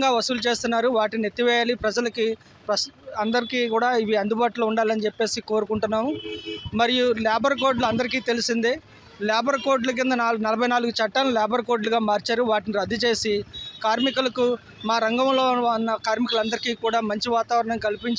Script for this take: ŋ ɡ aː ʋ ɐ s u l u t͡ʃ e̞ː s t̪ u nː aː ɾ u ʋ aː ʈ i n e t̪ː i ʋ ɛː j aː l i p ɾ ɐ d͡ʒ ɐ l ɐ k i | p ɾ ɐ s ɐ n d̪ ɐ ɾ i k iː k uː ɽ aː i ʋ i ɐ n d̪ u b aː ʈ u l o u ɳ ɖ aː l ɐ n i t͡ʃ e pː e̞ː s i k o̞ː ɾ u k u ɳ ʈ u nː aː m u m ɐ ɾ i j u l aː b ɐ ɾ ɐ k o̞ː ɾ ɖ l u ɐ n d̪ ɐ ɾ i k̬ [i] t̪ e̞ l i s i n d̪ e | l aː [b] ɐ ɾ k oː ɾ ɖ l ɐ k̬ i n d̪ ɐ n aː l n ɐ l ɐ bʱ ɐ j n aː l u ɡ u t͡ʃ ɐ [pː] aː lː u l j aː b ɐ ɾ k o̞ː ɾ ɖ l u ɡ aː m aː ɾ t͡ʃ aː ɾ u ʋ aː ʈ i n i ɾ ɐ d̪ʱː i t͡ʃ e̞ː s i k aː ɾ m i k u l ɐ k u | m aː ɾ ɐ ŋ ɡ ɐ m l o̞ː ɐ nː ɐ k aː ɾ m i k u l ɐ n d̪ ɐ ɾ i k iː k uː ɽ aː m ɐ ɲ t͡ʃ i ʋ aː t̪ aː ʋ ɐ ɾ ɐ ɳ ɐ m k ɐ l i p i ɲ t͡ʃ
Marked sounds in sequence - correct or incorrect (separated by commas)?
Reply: incorrect, correct, incorrect